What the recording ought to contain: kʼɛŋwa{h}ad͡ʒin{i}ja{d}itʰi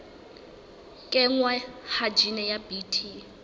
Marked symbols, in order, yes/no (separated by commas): yes, no, no